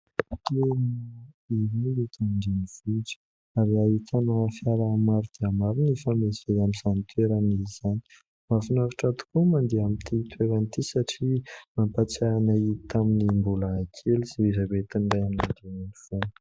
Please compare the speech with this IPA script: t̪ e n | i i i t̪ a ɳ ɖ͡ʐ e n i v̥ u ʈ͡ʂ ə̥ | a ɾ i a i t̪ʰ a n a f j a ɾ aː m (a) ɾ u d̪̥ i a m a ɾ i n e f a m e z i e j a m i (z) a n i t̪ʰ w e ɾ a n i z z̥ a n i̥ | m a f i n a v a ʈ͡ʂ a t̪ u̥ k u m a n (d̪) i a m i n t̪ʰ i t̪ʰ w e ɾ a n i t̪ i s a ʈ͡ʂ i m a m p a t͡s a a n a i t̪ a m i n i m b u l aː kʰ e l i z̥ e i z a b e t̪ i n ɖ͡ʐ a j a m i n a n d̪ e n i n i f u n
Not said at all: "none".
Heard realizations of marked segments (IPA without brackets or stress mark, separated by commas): a, z, d̪